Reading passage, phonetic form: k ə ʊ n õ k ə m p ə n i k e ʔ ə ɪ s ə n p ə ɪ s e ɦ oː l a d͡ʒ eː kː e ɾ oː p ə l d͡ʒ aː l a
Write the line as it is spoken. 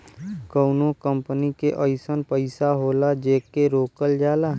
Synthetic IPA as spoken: k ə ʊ n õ k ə m p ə n i k e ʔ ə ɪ s ə n p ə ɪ s a ɦ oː l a d͡ʒ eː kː e ɾ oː k ə l d͡ʒ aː l a